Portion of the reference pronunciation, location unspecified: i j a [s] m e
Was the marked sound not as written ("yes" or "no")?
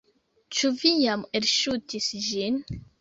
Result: yes